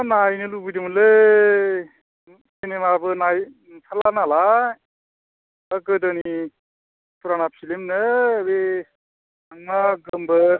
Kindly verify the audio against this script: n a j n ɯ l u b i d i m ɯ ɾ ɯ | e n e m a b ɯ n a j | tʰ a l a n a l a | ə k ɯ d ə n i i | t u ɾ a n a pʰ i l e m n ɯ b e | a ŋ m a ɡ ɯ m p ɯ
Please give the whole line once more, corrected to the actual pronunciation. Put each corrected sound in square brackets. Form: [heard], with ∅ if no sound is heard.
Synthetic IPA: n a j n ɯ l u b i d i m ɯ [l] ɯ | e n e m a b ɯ n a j | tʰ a l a n a l a | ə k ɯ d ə n i i | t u ɾ a n a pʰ i l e m n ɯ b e | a ŋ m a ɡ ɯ m [b] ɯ